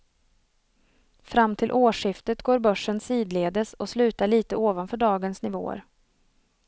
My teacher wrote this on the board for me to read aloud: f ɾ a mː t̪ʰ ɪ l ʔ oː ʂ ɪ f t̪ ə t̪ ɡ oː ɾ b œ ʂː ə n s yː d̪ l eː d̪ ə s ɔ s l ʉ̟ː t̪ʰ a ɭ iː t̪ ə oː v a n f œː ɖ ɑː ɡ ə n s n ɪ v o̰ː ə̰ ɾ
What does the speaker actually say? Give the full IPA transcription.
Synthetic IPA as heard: f ɾ a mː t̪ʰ ɪ l ʔ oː ʂ ɪ f t̪ ə t̪ ɡ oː ɾ b œ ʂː ə n s iː d̪ l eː d̪ ə s ɔ s l ʉ̟ː t̪ a ɭ iː t̪ ə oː v a n f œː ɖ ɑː ɡ ə n s n ɪ v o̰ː ə̰ ɾ